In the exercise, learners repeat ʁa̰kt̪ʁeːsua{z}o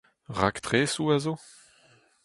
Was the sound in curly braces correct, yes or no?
yes